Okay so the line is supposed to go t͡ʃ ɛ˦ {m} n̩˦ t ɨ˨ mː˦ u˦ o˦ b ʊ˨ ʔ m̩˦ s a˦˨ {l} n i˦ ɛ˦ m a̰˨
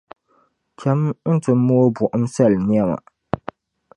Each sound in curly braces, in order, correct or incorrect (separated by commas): correct, correct